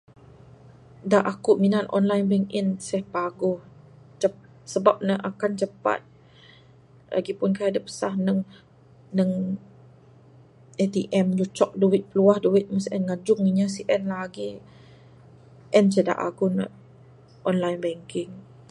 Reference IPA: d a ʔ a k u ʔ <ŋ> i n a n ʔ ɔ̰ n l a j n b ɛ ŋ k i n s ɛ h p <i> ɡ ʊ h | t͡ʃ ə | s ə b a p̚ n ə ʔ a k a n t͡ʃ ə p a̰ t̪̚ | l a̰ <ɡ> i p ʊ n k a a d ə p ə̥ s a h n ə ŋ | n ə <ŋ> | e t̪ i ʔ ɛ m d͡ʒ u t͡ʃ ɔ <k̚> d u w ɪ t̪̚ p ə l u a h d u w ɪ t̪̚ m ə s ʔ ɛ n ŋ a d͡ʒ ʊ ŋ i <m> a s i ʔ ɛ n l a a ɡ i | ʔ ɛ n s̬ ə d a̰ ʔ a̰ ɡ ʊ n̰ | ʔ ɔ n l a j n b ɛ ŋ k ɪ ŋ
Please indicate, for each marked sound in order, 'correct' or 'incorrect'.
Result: incorrect, incorrect, correct, correct, correct, incorrect

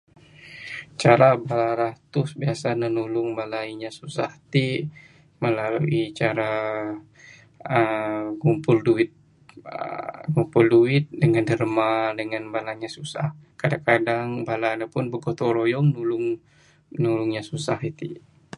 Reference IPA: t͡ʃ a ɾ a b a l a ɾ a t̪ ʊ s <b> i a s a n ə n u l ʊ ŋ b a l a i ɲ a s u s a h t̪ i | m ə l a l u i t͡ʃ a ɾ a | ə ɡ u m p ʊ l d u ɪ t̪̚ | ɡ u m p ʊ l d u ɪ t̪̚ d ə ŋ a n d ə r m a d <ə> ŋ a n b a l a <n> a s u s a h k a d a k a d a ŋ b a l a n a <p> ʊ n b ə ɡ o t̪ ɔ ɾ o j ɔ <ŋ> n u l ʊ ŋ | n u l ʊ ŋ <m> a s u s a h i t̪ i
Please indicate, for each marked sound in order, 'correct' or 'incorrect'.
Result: correct, correct, incorrect, correct, correct, incorrect

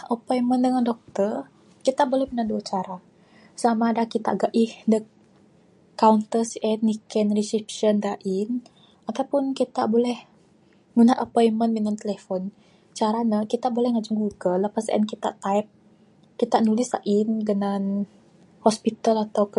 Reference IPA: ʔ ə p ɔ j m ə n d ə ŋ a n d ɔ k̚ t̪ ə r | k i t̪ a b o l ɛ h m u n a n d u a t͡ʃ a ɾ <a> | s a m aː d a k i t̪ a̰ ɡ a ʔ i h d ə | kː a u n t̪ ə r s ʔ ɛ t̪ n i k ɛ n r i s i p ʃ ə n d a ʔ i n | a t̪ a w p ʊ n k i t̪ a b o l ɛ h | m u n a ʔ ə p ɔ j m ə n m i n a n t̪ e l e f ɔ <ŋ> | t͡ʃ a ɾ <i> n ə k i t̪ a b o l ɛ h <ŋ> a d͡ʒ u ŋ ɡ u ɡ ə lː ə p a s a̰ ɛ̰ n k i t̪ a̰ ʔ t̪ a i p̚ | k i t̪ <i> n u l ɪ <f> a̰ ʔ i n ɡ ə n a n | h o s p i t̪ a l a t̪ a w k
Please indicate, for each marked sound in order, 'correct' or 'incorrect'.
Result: correct, incorrect, incorrect, correct, incorrect, incorrect

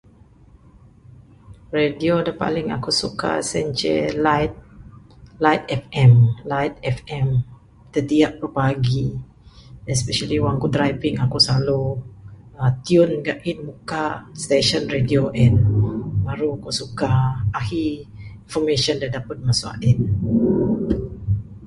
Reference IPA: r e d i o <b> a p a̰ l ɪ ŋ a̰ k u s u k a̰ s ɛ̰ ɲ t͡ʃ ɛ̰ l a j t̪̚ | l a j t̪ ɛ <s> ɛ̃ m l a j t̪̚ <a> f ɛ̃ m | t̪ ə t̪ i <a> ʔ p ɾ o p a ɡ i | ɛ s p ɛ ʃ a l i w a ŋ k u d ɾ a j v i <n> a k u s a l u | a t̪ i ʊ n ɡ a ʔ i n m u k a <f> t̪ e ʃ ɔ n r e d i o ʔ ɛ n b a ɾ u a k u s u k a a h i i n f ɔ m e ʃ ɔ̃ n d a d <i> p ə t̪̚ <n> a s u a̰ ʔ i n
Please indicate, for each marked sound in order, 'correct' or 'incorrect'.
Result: incorrect, incorrect, incorrect, correct, incorrect, incorrect, incorrect, incorrect

